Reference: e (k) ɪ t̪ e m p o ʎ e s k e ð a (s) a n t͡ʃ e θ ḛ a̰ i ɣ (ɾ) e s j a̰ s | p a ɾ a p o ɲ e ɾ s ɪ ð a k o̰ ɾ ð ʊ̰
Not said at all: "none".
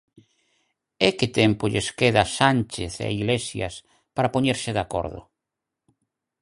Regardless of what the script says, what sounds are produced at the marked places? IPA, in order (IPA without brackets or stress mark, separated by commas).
k, s, l